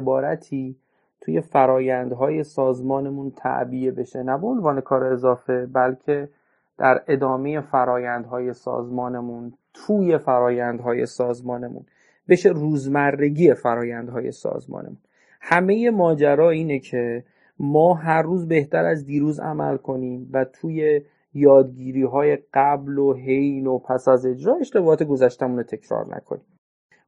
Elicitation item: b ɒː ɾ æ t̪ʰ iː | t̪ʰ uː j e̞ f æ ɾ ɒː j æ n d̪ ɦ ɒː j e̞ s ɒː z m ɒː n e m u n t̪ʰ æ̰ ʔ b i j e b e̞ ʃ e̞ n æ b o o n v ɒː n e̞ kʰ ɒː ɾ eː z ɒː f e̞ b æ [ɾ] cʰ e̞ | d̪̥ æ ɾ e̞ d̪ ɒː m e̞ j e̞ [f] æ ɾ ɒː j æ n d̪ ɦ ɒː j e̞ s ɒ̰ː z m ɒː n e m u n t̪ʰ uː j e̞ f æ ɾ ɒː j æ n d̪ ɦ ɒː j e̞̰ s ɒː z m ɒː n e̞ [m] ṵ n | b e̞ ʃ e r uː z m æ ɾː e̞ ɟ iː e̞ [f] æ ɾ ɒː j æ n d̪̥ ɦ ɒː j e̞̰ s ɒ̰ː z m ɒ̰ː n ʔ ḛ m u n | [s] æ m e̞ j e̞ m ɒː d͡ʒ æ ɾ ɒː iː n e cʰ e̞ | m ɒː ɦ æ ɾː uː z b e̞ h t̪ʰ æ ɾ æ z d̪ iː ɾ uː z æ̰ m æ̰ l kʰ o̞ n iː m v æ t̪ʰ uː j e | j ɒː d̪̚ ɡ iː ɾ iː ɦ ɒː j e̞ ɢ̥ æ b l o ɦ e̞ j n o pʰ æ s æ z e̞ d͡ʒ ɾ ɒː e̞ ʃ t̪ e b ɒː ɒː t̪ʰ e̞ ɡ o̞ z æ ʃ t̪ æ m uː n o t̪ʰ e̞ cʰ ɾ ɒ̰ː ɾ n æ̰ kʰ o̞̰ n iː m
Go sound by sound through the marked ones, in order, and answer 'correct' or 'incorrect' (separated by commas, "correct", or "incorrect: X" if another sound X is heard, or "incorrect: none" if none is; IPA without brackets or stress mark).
incorrect: l, correct, correct, correct, incorrect: h